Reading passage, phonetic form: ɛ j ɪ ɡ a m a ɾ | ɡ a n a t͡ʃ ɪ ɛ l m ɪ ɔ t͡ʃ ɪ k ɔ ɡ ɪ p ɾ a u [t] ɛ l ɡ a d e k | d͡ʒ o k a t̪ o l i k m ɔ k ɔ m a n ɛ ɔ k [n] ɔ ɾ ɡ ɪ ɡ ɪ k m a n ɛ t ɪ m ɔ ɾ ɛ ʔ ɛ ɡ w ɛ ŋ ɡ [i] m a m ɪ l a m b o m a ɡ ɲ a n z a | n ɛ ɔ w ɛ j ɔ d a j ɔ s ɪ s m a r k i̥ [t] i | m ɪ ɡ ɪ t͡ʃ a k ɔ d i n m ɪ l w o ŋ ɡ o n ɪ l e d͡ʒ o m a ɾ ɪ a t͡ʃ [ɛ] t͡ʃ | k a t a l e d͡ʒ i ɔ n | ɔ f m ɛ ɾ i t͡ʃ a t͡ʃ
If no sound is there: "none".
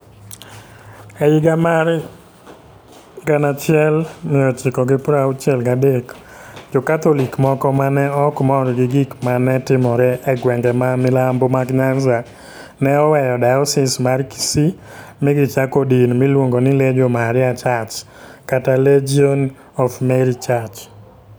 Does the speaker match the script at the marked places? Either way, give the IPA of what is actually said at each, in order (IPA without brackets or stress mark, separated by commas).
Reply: t͡ʃ, m, ɛ, s, a